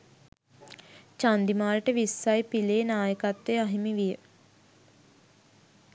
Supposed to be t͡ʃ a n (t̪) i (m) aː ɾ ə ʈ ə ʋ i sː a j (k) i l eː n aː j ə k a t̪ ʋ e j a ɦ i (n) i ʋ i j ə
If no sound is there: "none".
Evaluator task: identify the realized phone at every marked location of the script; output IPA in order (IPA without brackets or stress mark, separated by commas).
d̪, m, p, m